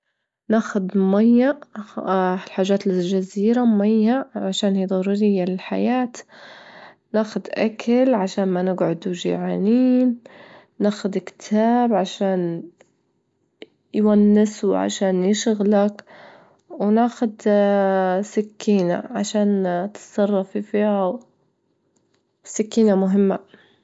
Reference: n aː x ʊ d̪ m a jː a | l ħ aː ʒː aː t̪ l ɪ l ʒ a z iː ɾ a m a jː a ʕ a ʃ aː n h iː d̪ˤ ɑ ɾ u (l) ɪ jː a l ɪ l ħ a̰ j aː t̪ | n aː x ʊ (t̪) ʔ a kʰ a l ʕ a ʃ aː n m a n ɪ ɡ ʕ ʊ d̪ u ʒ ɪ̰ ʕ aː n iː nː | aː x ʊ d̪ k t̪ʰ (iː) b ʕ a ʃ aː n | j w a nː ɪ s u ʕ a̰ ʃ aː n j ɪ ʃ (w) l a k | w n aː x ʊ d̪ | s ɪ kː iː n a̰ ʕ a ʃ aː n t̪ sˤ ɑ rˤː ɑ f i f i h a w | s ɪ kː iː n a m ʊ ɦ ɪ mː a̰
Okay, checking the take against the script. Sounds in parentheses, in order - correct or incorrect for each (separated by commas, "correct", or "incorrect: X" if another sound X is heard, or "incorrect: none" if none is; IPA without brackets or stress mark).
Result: incorrect: ɾ, incorrect: d̪, incorrect: aː, incorrect: ɣ